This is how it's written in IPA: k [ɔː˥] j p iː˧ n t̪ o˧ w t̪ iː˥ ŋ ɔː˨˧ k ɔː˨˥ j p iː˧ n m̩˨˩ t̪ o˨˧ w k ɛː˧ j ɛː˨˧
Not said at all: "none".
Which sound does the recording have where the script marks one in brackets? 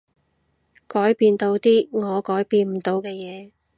ɔː˨˥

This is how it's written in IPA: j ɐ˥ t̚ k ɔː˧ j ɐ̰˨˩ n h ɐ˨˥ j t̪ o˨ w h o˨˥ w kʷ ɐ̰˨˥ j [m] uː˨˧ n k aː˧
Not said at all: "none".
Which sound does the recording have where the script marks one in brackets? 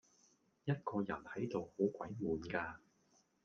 m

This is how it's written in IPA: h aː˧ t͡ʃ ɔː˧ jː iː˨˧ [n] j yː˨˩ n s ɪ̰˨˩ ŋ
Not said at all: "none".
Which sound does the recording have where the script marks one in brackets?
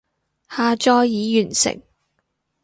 none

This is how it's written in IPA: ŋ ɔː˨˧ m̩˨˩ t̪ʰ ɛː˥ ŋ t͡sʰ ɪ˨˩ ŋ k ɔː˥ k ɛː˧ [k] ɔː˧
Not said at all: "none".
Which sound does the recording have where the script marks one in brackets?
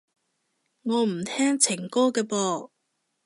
p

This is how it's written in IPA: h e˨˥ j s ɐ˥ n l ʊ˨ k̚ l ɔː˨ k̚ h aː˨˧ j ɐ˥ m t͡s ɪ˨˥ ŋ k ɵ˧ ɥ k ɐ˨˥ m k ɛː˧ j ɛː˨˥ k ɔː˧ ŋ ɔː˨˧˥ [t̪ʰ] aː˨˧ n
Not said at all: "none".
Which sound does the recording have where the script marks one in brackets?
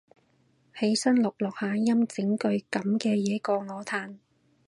t̪ʰ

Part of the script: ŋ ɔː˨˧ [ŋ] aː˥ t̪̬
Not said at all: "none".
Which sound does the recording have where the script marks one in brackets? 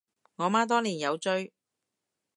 m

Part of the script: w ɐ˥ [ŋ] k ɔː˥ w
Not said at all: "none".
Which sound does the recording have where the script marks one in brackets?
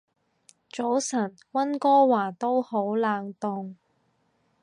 n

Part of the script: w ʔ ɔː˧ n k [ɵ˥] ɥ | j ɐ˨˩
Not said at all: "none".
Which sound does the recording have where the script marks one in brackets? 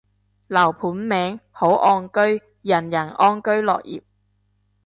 ɵ˥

